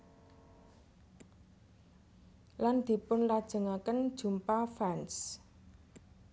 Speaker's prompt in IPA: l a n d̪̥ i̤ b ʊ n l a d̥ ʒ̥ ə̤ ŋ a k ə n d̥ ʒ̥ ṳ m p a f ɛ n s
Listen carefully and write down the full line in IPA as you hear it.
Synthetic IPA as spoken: l a n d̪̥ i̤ p ʊ n l a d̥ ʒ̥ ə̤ ŋ a k ə n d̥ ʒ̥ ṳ m p a f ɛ n s